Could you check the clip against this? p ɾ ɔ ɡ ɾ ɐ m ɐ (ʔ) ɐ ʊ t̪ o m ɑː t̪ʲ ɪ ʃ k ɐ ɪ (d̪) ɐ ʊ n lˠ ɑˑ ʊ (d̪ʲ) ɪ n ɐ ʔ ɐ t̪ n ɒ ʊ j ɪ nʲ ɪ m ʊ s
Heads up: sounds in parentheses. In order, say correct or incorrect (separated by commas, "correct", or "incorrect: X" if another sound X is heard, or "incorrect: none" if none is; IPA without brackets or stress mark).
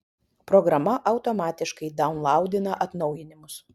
correct, correct, correct